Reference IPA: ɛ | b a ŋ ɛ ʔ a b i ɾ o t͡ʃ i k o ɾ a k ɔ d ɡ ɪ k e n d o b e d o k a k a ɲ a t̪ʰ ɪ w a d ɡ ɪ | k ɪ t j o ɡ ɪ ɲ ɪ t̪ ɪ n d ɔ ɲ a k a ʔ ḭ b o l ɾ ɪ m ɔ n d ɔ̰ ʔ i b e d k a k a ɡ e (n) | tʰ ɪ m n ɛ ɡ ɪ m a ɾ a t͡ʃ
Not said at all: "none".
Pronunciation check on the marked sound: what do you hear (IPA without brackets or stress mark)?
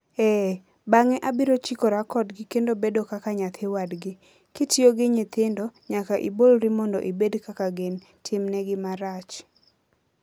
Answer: n